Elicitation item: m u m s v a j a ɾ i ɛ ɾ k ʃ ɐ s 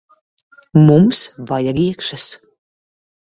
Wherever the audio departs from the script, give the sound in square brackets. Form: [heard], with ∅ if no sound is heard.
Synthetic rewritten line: m u m s v a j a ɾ i ɛ [∅] k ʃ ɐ s